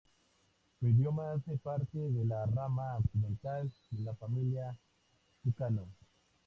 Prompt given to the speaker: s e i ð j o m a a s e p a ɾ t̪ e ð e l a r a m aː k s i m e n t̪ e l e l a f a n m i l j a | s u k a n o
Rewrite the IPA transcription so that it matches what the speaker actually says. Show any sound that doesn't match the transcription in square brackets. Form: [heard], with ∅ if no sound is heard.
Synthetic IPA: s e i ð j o m a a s e p a ɾ t̪ e ð e l a r a m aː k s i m e n t̪ [a] l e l a f a [∅] m i l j a | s u k a n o